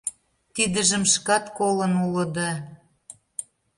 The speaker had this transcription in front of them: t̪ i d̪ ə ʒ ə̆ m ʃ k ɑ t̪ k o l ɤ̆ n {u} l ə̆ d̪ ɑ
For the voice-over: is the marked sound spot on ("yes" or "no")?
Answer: yes